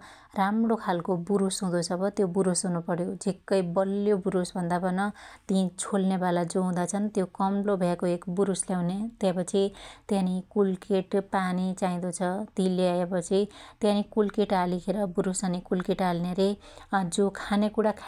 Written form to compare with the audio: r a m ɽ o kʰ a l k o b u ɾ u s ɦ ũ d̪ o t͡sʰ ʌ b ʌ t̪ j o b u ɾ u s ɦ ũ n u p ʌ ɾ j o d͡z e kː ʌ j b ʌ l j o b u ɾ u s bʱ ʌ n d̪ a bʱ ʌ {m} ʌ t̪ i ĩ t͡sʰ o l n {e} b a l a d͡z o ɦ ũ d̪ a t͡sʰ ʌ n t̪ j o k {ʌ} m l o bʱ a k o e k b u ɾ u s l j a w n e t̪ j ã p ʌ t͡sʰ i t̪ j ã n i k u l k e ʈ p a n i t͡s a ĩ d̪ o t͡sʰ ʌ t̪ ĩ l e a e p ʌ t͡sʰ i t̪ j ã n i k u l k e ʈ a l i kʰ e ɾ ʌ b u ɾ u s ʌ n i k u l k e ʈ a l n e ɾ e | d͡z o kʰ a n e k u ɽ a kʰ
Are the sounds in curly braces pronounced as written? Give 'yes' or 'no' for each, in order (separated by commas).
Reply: no, yes, yes